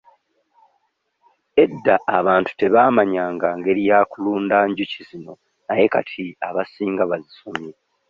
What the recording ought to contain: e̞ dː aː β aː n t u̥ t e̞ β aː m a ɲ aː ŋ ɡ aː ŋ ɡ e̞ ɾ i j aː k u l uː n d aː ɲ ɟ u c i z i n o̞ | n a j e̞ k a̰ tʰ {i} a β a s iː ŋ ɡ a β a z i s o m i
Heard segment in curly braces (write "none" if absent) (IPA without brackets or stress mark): i